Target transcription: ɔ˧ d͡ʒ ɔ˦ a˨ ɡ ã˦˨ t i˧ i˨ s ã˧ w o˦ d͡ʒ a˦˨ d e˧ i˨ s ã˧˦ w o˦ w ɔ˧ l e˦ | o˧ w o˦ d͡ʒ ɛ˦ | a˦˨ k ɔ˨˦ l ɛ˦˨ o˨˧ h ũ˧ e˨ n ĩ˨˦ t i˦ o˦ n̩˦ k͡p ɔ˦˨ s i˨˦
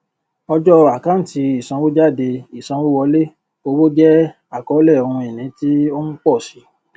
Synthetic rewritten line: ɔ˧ d͡ʒ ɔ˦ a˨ k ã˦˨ t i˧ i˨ s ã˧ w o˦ d͡ʒ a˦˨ d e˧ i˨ s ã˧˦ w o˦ w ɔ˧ l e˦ | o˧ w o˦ d͡ʒ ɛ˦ | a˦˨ k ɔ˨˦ l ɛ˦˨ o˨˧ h ũ˧ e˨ n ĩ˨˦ t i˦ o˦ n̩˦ k͡p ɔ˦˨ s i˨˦